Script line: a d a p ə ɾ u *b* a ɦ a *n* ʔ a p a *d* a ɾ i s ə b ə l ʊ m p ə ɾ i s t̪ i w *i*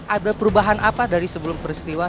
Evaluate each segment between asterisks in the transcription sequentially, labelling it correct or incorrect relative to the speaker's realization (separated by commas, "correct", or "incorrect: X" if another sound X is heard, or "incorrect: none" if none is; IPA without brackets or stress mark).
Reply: correct, correct, correct, incorrect: a